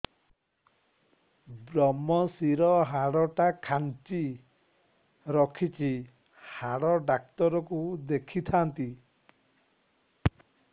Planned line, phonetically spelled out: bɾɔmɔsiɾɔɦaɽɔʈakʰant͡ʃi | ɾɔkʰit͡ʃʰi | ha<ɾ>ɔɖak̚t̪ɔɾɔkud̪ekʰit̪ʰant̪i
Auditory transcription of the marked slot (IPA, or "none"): ɽ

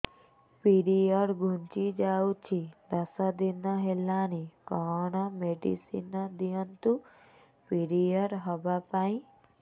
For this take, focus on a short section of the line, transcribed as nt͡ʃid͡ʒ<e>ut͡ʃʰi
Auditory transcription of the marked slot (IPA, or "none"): a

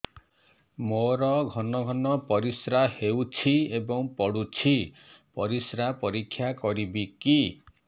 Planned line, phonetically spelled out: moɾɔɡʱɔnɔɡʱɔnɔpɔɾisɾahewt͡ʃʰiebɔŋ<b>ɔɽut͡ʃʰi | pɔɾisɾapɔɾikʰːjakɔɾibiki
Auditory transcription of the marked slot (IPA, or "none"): p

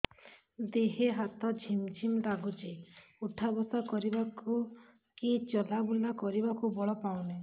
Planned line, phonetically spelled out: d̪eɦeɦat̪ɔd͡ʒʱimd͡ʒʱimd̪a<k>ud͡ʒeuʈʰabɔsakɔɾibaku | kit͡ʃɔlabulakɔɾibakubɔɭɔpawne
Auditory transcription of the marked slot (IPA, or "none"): ɡ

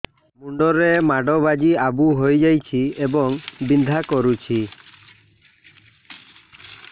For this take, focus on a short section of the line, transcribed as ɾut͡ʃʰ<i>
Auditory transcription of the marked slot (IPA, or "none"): i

